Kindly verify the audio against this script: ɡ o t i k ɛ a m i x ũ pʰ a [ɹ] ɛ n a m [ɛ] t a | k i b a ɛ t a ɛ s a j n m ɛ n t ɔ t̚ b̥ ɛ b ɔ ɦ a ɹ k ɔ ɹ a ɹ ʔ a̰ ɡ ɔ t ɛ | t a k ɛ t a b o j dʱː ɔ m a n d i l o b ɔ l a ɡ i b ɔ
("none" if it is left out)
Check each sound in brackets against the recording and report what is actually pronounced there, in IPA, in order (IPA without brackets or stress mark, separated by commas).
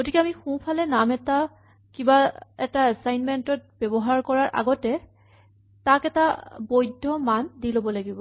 l, ɛ